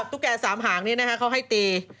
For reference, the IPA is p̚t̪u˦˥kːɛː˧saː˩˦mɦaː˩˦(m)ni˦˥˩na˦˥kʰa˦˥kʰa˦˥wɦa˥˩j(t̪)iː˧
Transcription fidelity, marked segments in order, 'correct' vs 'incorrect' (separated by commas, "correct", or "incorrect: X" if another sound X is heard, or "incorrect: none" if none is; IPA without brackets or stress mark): incorrect: ŋ, correct